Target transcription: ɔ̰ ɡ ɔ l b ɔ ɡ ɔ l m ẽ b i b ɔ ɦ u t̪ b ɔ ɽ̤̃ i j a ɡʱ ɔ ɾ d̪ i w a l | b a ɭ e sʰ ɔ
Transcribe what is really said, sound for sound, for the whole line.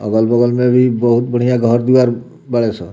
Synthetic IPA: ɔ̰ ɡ ɔ l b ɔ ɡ ɔ l m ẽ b i b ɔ ɦ u t̪ b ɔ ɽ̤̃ i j a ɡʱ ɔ ɾ d̪ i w a ɾ | b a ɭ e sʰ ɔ